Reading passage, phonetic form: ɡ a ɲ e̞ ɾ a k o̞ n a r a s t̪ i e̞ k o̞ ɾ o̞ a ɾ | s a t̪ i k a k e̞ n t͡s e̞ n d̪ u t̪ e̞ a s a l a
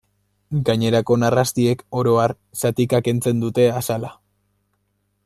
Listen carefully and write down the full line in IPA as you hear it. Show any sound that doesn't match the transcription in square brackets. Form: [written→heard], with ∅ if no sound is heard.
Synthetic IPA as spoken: ɡ a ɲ e̞ ɾ a k o̞ n a r a s t̪ i e̞ k o̞ ɾ o̞ a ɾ | s a t̪ i k a k e̞ n t͡s e̞ n d̪ u t̪ e̞ a s a l a